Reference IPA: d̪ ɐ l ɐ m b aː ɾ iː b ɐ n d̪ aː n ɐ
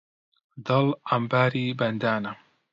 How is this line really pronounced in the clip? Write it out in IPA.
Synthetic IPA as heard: d̪ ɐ l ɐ m b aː ɾ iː b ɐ n d̪ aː n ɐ